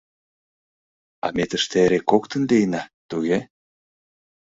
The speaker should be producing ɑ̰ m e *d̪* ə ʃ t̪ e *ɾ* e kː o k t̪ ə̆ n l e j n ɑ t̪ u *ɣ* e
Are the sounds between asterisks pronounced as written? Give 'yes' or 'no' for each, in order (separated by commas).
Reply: no, yes, yes